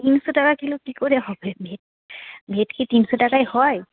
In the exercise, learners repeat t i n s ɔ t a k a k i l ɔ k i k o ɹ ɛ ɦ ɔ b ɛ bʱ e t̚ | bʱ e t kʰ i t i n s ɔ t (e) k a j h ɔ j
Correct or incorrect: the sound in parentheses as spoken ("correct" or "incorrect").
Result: incorrect